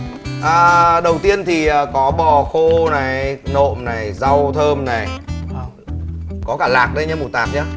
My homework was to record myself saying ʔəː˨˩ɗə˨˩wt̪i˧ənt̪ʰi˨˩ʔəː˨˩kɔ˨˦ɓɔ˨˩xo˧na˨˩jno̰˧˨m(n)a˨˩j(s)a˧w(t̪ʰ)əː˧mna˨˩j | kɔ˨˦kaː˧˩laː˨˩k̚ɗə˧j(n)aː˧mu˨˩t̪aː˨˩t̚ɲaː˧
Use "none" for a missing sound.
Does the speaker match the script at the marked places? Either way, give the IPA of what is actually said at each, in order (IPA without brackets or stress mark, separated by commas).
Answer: n, z, t̪ʰ, ɲ